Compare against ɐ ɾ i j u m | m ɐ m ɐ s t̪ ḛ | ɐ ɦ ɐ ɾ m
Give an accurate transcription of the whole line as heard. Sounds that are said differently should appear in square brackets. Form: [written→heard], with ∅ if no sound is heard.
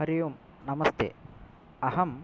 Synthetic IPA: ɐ ɾ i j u m | [m→n] ɐ m ɐ s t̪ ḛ | ɐ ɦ ɐ [ɾ→∅] m